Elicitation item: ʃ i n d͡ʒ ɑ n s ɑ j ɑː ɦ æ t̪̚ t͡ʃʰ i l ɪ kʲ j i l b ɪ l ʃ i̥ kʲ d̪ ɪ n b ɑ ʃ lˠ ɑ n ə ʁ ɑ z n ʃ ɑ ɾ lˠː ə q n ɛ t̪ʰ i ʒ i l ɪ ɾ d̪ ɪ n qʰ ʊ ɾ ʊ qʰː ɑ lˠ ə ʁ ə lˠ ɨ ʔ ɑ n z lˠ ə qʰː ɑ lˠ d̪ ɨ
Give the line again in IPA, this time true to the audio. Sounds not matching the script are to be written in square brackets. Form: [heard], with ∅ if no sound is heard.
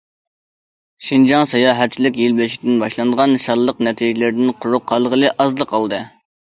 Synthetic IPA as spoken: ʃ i n d͡ʒ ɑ [ŋ] s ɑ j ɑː ɦ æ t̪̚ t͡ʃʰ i l ɪ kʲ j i l b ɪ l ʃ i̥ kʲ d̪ ɪ n b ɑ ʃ lˠ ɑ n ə ʁ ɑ [∅] n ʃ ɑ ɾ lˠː ə q n ɛ t̪ʰ i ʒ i l ɪ ɾ d̪ ɪ n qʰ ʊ ɾ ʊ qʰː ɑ lˠ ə ʁ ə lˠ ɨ ʔ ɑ [∅] z lˠ ə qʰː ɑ lˠ d̪ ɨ